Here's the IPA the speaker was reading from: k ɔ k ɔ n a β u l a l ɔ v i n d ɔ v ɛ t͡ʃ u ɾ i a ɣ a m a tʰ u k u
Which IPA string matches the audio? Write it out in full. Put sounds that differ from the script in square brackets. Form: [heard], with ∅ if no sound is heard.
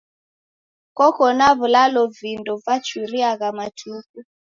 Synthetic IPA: k ɔ k ɔ n a β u l a l ɔ v i n d ɔ v [a] t͡ʃ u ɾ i a ɣ a m a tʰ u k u